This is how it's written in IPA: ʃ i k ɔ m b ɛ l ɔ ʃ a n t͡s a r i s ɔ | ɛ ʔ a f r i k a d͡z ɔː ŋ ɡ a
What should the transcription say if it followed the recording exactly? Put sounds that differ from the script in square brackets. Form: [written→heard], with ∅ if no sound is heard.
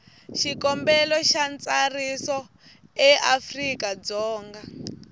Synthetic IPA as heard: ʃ i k ɔ m b ɛ l ɔ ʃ a n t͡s a r i s ɔ | ɛ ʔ a f r i k a d͡z ɔː ŋ ɡ a